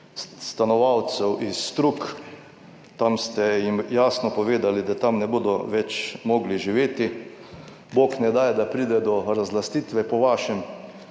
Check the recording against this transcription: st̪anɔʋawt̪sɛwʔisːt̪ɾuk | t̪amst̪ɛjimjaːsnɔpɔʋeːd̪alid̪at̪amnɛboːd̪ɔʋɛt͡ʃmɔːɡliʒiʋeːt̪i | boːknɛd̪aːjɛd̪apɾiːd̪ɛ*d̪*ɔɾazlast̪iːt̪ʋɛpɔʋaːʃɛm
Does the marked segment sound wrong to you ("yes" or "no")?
no